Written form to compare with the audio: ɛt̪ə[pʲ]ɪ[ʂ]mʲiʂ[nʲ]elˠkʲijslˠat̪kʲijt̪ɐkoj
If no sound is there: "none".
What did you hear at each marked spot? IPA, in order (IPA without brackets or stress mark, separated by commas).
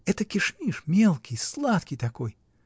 kʲ, ʂ, mʲ